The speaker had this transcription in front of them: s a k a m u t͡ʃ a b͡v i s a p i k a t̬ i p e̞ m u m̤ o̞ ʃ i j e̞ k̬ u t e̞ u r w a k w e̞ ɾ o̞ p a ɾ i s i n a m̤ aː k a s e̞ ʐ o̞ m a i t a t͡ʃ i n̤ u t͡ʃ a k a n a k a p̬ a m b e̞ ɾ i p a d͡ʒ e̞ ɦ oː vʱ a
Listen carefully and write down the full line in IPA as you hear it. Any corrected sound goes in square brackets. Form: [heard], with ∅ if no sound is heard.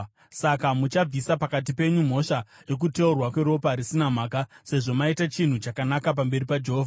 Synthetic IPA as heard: s a k a m u t͡ʃ a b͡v i s a p [a] k a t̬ i p e̞ [ɲ] u m̤ o̞ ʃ [a] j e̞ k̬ u t e̞ u r w a k w e̞ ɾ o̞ p a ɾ i s i n a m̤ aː k a s e̞ ʐ o̞ m a i t a t͡ʃ i n̤ u t͡ʃ a k a n a k a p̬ a m b e̞ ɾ i p a d͡ʒ e̞ ɦ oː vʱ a

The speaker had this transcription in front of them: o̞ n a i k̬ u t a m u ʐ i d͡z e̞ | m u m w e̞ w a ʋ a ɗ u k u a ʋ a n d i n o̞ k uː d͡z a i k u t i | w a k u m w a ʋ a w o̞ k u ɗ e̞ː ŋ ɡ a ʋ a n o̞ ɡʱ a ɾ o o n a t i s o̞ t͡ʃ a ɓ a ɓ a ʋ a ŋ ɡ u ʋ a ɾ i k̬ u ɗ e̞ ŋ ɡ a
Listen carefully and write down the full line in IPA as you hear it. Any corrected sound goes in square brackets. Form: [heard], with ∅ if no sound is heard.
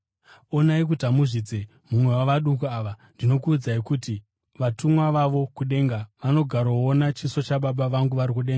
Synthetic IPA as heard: o̞ n a i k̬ u t a m u ʐ i d͡z e̞ | m u m w e̞ w a ʋ a ɗ u k u a ʋ a n d i n o̞ k uː d͡z a i k u t i | [ʋ] a [t] u m w a ʋ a [ʋ] o̞ k u ɗ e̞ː ŋ ɡ a ʋ a n o̞ ɡʱ a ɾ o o n a [t͡ʃ] i s o̞ t͡ʃ a ɓ a ɓ a ʋ a ŋ ɡ u ʋ a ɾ i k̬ u ɗ e̞ ŋ ɡ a

